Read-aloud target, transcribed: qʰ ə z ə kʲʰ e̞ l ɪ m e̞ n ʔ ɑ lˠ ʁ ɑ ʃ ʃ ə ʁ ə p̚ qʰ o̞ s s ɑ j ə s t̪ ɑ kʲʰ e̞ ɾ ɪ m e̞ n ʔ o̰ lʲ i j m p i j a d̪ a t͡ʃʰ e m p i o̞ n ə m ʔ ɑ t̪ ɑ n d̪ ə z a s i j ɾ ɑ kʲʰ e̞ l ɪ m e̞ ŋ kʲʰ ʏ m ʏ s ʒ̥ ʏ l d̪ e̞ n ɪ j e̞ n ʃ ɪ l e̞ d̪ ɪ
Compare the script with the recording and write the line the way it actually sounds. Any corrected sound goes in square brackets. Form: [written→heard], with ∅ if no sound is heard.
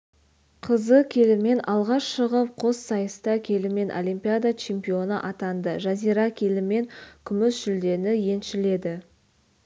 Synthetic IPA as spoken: qʰ ə z ə kʲʰ e̞ l ɪ m e̞ n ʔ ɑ lˠ ʁ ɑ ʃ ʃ ə ʁ ə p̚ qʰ o̞ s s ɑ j ə s t̪ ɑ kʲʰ e̞ [ɾ→l] ɪ m e̞ n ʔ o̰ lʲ i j m p i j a d̪ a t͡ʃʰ e m p i o̞ n ə [m→∅] ʔ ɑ t̪ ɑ n d̪ ə [z→ʒ] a [s→z] i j ɾ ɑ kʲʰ e̞ l ɪ m e̞ ŋ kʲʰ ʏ m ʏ s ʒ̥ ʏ l d̪ e̞ n ɪ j e̞ n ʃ ɪ l e̞ d̪ ɪ